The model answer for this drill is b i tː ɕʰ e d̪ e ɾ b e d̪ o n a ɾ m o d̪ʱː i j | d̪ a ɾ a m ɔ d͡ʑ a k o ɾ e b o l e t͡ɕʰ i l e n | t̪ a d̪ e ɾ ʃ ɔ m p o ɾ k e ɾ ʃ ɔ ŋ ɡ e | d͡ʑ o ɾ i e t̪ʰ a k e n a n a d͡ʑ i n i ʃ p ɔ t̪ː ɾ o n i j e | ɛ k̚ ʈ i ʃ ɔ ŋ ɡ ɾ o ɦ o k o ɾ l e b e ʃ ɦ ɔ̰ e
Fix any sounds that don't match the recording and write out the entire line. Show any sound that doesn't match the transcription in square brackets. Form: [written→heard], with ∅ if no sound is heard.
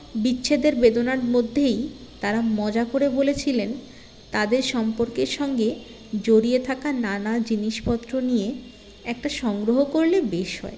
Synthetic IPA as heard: b i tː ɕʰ e d̪ e ɾ b e d̪ o n a ɾ m o d̪ʱː [i→e] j | [d̪→t̪] a ɾ a m ɔ d͡ʑ a k o ɾ e b o l e t͡ɕʰ i l e n | t̪ a d̪ e ɾ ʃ ɔ m p o ɾ k e ɾ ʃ ɔ ŋ ɡ e | d͡ʑ o ɾ i e t̪ʰ a k [e→a] n a n a d͡ʑ i n i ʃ p ɔ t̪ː ɾ o n i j e | ɛ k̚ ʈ [i→a] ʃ ɔ ŋ ɡ ɾ o ɦ o k o ɾ l e b e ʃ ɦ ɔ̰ e

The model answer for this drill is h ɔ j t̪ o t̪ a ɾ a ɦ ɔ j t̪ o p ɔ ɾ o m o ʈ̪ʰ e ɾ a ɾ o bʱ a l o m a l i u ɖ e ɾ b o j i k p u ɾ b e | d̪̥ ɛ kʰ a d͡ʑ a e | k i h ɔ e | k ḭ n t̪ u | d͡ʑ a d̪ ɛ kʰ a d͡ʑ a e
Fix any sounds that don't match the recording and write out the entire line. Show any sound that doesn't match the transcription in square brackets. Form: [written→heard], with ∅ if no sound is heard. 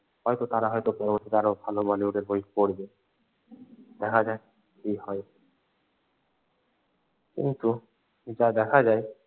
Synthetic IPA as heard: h ɔ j t̪ o t̪ a ɾ a ɦ ɔ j t̪ o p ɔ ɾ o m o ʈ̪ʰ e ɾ a ɾ o bʱ a l o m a l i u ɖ e ɾ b o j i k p [u→o] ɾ b e | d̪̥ ɛ kʰ a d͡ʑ a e | k i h ɔ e | k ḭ n t̪ u | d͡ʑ a d̪ ɛ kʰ a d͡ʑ a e

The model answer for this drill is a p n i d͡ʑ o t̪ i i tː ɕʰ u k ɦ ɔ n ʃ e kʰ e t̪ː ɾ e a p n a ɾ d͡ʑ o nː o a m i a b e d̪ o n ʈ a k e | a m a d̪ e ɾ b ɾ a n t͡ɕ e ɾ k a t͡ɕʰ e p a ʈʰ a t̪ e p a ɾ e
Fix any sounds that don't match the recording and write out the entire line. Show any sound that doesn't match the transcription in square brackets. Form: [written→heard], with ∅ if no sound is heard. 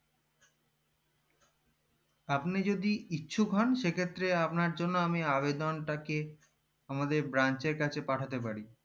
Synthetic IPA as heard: a p n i d͡ʑ o [t̪→d̪] i i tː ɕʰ u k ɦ ɔ n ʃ e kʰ e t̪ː ɾ e a p n a ɾ d͡ʑ o nː o a m i a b e d̪ o n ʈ a k e | a m a d̪ e ɾ b ɾ a n t͡ɕ e ɾ k a t͡ɕʰ e p a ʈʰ a t̪ e p a ɾ [e→i]

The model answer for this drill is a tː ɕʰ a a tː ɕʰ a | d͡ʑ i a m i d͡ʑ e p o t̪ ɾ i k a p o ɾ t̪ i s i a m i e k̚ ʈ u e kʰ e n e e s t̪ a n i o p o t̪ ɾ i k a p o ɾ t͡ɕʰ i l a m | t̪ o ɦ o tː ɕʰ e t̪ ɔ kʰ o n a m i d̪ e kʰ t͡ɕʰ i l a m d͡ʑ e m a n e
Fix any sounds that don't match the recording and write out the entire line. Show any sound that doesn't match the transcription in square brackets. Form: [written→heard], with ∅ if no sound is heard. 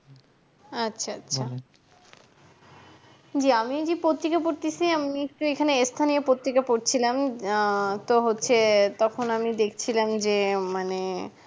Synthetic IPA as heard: a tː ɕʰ a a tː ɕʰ a | d͡ʑ i a m i d͡ʑ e p o t̪ ɾ i k a p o ɾ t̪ i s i a m i e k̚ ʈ u e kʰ [e→a] n e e s [t̪→t̪ʰ] a n i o p o t̪ ɾ i k a p o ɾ t͡ɕʰ i l a m | t̪ o ɦ o tː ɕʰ e t̪ ɔ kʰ o n a m i d̪ e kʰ t͡ɕʰ i l a m d͡ʑ e m a n e

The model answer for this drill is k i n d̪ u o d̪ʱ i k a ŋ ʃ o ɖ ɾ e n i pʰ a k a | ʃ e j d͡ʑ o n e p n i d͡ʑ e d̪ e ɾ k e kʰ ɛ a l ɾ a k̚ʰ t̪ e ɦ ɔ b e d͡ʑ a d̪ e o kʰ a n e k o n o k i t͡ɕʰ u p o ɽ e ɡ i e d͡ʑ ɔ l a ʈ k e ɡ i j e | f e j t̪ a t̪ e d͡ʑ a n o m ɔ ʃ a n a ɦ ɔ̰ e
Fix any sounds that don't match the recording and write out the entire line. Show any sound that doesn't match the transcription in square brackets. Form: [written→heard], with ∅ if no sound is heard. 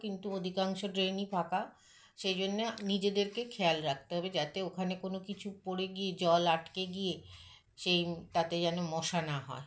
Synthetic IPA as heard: k i n [d̪→t̪] u o d̪ʱ i k a ŋ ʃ o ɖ ɾ e n i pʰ a k a | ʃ e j d͡ʑ o [n→nː] e [p→∅] n i d͡ʑ e d̪ e ɾ k e kʰ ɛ a l ɾ a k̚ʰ t̪ e ɦ ɔ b e d͡ʑ a [d̪→t̪] e o kʰ a n e k o n o k i t͡ɕʰ u p o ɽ e ɡ i e d͡ʑ ɔ l a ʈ k e ɡ i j e | [f→ʃ] e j t̪ a t̪ e d͡ʑ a n o m ɔ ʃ a n a ɦ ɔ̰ e

